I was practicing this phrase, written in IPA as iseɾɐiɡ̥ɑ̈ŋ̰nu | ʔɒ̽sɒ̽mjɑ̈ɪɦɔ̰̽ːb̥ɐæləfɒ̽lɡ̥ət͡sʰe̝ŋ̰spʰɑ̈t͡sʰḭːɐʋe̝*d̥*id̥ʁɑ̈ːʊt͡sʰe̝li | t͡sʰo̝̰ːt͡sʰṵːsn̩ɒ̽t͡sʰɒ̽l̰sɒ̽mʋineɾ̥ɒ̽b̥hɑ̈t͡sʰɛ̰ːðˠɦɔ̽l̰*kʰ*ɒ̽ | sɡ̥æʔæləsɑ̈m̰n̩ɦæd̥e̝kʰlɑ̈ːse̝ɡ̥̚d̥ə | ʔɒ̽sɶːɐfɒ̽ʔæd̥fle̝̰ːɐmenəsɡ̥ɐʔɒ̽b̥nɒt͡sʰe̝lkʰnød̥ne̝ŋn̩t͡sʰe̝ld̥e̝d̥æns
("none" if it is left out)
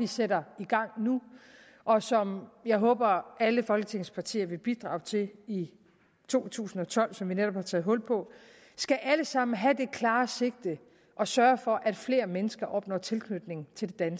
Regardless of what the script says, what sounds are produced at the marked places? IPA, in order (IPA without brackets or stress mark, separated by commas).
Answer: b̥, pʰ